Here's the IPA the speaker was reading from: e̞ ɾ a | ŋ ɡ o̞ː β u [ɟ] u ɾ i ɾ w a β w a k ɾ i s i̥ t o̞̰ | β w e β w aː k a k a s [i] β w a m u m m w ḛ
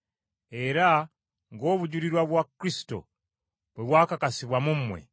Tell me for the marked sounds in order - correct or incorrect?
correct, correct

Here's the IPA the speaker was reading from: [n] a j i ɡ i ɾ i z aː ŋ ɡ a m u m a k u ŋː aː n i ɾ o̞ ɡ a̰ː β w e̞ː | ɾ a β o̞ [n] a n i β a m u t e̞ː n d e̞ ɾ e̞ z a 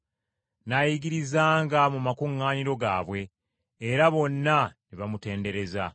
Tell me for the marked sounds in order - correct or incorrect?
correct, incorrect

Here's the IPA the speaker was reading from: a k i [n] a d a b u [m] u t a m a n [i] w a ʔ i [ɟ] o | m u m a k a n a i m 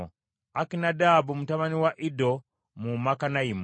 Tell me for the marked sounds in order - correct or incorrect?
correct, correct, correct, incorrect

